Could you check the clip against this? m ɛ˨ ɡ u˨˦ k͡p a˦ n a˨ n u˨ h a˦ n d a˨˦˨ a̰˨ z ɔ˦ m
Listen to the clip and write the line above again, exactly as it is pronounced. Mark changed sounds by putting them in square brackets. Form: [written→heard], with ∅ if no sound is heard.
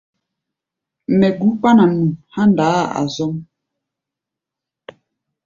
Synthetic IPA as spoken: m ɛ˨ ɡ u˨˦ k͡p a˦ n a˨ n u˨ h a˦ n d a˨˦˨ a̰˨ z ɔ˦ m